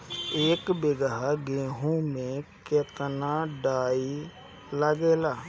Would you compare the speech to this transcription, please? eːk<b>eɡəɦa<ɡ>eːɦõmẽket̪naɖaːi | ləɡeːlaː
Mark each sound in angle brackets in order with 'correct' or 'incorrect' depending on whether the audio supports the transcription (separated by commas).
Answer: correct, correct